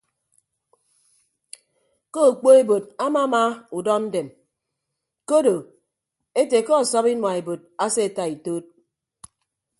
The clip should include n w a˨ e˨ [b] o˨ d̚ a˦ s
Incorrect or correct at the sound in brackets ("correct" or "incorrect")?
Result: correct